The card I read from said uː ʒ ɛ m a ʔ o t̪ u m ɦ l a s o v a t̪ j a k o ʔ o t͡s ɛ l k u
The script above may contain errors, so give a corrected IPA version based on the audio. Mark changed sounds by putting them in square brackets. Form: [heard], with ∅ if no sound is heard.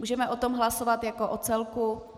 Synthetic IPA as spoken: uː ʒ ɛ m [ɛ] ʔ o t̪ [o] m ɦ l a s o v a t̪ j a k o ʔ o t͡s ɛ l k u